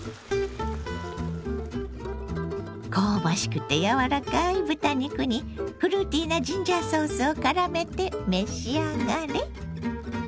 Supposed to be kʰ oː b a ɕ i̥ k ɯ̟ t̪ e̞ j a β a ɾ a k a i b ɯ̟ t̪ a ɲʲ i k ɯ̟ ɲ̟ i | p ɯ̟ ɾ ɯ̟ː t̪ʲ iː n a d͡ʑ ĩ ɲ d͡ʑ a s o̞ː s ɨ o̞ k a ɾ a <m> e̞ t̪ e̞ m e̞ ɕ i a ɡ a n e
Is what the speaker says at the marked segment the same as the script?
yes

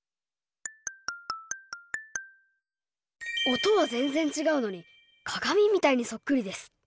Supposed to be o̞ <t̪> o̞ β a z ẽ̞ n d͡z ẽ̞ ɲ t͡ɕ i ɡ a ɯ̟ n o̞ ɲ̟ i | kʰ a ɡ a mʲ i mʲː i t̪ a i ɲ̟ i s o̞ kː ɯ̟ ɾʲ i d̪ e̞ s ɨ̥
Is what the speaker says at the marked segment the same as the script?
yes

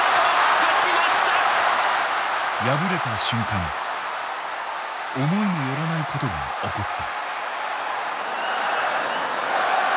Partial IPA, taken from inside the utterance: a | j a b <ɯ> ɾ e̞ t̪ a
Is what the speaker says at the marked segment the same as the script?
yes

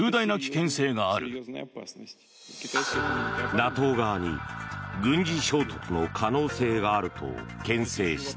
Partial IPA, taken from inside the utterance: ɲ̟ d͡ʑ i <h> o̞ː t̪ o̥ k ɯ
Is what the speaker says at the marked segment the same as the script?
no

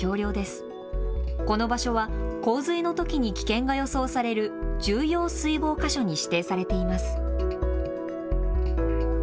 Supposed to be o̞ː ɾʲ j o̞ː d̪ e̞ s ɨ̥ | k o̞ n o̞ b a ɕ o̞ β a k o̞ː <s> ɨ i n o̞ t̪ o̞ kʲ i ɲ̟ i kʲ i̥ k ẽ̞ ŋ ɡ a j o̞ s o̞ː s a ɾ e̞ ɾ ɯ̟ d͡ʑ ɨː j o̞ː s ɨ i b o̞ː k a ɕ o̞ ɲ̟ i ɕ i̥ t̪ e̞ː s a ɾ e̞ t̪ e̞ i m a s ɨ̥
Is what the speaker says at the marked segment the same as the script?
no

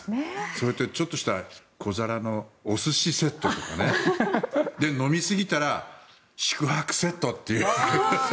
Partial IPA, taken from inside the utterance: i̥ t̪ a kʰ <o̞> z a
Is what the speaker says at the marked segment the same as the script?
yes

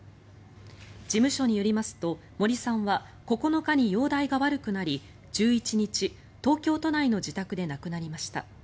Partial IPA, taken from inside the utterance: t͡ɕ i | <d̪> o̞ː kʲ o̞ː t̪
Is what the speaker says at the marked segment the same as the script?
no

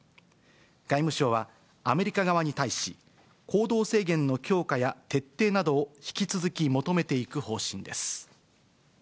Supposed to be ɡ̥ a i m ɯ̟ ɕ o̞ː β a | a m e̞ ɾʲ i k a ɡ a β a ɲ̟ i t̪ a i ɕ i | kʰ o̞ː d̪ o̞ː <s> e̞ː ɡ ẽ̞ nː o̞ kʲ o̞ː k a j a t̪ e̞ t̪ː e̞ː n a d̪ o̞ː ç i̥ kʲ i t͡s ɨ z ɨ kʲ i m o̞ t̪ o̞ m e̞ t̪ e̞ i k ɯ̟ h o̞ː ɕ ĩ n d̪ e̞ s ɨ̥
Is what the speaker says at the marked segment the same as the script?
yes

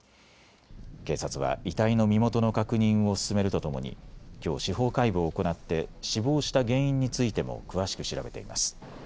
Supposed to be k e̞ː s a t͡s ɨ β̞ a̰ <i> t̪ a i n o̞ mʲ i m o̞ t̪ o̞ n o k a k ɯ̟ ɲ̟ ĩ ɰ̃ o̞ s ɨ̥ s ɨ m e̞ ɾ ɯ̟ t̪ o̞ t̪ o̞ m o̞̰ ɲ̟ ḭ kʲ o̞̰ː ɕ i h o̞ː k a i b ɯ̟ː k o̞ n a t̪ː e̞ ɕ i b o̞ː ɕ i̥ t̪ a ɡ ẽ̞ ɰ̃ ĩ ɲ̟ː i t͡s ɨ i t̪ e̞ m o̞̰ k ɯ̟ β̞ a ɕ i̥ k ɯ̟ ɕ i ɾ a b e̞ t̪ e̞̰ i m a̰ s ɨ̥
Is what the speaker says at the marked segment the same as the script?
yes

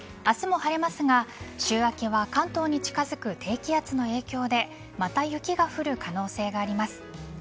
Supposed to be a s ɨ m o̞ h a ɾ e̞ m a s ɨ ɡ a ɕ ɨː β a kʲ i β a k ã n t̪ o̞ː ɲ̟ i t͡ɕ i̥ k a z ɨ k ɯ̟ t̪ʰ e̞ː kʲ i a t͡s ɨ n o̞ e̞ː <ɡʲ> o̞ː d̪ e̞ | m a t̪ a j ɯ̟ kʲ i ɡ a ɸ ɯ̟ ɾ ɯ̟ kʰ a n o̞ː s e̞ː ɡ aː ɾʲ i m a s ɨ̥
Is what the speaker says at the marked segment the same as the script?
no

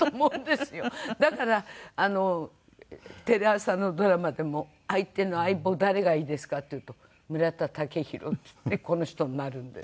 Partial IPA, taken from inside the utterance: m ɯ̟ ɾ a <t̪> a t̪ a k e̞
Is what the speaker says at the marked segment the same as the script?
yes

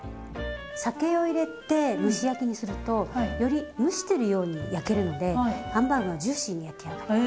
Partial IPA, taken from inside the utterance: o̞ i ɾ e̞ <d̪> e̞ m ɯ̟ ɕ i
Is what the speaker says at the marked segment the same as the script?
no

